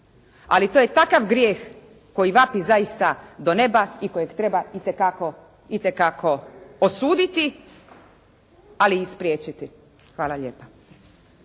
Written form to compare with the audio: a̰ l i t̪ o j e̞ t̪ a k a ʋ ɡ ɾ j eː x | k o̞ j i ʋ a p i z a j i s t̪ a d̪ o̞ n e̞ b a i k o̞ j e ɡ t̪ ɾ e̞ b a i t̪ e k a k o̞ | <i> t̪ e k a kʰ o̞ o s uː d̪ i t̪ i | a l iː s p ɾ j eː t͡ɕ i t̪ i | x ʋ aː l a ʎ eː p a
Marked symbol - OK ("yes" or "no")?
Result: yes